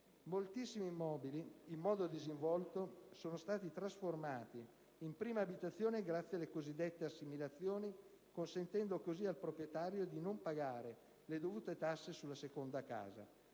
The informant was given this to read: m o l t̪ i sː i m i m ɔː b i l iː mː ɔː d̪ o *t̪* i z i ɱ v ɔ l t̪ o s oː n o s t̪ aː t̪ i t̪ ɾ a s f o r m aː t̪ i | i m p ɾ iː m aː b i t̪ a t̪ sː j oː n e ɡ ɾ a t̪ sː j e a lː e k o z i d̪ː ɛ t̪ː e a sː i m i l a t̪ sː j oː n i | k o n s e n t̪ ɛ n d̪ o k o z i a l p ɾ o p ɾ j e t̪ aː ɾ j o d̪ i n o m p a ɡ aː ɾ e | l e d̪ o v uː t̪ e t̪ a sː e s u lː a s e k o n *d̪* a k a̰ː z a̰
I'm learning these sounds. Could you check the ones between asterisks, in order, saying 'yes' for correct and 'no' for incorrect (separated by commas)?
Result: no, yes